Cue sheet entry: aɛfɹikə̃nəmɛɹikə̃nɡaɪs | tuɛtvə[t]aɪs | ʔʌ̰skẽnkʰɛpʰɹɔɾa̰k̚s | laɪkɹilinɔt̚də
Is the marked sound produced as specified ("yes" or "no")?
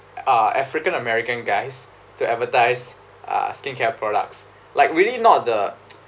yes